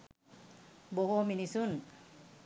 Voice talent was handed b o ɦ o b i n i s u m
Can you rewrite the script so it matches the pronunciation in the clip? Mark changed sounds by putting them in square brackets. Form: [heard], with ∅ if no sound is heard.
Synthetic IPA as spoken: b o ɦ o [m] i n i s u [n]